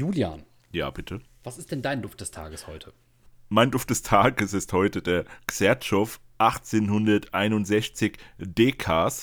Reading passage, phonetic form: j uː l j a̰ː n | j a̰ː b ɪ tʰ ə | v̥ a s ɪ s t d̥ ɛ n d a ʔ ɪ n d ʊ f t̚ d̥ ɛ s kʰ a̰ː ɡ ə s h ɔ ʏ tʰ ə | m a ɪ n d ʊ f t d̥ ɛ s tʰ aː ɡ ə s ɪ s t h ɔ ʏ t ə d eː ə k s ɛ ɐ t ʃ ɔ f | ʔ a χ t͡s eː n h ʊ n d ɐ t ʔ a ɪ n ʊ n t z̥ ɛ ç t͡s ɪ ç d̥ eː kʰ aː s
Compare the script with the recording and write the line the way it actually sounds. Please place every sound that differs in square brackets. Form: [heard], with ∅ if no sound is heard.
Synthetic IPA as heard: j uː l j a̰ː n | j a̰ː b ɪ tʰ ə | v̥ a s ɪ s t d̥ ɛ n d a [∅] ɪ n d ʊ f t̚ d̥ ɛ s [tʰ] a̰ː ɡ ə s h ɔ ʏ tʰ ə | m a ɪ n d ʊ f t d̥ ɛ s tʰ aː ɡ ə s ɪ s t h ɔ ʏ t ə d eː [ɐ] k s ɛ ɐ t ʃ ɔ f | ʔ a χ t͡s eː n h ʊ n d ɐ t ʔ a ɪ n ʊ n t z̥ ɛ ç t͡s ɪ ç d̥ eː kʰ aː s